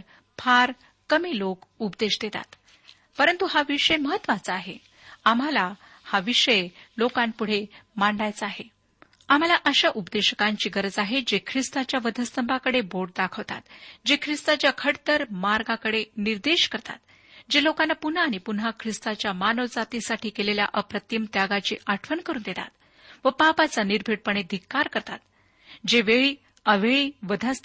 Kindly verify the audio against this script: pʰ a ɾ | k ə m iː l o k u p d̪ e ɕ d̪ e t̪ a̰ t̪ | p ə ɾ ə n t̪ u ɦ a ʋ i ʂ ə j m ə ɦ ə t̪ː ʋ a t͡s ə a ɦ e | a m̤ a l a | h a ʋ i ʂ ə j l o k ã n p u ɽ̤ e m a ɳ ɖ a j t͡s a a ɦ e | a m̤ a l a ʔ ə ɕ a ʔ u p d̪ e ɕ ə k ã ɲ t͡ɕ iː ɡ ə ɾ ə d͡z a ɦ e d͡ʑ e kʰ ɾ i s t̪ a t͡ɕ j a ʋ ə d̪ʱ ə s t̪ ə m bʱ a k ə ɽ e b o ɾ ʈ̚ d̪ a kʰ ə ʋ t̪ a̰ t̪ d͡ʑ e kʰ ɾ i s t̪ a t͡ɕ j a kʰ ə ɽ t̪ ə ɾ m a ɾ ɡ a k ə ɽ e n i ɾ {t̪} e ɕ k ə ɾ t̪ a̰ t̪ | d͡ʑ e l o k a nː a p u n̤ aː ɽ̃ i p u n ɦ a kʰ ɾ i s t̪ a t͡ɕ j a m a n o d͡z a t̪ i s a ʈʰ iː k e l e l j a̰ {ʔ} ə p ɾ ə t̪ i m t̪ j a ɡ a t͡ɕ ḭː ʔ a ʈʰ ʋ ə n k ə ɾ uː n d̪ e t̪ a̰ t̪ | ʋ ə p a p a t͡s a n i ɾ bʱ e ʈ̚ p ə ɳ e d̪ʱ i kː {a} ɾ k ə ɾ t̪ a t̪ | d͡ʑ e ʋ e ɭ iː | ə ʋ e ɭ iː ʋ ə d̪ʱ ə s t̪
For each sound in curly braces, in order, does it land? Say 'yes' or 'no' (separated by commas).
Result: no, yes, yes